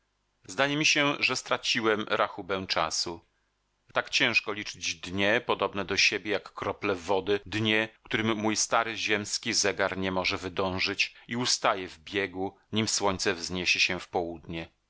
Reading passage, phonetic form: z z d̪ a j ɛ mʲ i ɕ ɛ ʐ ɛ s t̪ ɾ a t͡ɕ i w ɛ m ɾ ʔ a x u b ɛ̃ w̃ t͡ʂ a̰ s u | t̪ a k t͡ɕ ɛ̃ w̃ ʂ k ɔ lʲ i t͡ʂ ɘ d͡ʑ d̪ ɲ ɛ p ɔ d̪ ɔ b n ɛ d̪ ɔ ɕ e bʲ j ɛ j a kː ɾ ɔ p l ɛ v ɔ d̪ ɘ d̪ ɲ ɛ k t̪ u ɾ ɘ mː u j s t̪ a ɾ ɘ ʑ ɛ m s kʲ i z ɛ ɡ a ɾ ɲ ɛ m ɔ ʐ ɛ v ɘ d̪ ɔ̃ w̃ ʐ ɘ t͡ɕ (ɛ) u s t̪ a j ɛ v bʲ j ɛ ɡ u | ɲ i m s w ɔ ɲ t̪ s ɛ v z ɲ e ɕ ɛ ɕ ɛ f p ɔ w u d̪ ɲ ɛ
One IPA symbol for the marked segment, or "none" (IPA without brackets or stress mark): i